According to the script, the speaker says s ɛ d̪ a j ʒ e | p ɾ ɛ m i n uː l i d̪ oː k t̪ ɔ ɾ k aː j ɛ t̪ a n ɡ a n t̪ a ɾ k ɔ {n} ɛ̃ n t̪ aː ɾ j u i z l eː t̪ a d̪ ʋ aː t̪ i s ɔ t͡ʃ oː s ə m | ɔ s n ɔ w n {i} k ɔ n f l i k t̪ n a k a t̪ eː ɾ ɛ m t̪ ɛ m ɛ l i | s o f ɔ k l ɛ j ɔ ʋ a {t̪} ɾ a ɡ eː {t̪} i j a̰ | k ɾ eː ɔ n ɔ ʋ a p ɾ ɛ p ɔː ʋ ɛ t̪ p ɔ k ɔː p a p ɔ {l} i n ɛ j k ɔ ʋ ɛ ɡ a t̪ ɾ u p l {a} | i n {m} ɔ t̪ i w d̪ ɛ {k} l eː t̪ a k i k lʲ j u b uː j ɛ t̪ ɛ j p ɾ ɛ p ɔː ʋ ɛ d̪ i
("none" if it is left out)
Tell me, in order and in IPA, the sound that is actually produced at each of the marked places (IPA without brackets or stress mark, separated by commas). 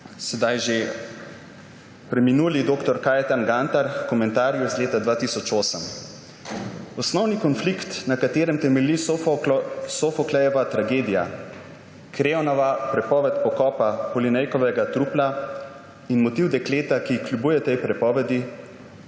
m, i, t̪, d̪, l, a, m, k